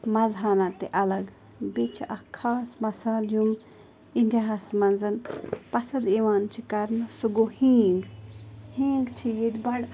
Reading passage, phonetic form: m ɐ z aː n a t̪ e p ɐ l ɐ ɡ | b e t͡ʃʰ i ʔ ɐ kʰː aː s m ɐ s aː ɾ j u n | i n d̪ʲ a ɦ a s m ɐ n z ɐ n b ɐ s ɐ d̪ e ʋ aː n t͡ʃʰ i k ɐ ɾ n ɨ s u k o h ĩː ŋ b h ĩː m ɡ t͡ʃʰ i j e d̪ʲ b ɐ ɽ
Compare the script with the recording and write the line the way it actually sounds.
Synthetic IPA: m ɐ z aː n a t̪ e ʔ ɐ l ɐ ɡ | b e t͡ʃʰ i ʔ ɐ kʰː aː s m ɐ s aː l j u m | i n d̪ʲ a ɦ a s m ɐ n z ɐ n p ɐ s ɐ d̪ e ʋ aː n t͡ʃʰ i k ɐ ɾ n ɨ s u ɡ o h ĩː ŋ ɡ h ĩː ŋ ɡ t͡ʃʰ i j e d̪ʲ b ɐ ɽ